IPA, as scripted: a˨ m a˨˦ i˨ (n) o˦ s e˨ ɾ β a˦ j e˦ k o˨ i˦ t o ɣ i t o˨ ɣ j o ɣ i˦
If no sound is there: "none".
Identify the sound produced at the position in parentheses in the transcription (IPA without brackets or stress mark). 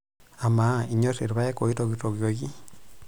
ɲ